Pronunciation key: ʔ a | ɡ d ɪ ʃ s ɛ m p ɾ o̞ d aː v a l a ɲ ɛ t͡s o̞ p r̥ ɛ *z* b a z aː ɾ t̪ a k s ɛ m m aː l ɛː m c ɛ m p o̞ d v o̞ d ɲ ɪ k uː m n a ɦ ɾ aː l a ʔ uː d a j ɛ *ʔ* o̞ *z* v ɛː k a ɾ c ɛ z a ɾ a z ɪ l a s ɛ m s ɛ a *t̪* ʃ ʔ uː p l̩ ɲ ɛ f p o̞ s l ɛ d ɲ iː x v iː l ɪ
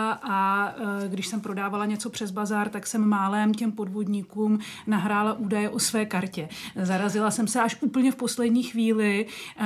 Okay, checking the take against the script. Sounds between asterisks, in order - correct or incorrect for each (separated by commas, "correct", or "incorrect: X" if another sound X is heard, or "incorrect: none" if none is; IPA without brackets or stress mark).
correct, correct, incorrect: s, incorrect: none